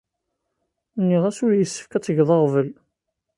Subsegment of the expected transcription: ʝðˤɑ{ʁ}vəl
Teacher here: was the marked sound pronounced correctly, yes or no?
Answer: yes